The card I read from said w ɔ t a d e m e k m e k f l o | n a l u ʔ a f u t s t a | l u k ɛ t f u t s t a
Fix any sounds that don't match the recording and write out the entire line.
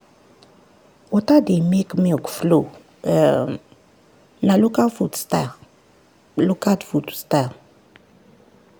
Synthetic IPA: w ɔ t a d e m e k m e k f l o | n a l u k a f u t s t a | l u k a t f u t s t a